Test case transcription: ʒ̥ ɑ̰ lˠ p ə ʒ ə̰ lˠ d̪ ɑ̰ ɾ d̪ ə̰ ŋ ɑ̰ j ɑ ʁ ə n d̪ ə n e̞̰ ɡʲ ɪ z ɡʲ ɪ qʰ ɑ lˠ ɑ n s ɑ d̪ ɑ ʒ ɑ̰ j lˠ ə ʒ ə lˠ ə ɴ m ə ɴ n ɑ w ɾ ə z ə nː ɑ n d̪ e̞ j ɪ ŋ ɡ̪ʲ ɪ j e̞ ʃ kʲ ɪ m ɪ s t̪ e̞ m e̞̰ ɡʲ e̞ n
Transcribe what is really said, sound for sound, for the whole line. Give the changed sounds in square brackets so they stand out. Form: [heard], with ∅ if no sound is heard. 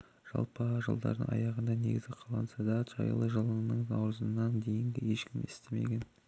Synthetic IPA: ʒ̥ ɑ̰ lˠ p ə ʒ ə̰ lˠ d̪ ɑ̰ ɾ d̪ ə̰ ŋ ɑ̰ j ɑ ʁ ə n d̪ [ɑ] n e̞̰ ɡʲ ɪ z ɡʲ ɪ qʰ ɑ lˠ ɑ n s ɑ d̪ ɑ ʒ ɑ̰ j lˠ ə ʒ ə lˠ ə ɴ [n] ə ɴ n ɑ w ɾ ə z ə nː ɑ n d̪ e̞ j ɪ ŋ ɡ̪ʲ ɪ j e̞ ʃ kʲ ɪ m ɪ s t̪ e̞ m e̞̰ ɡʲ e̞ n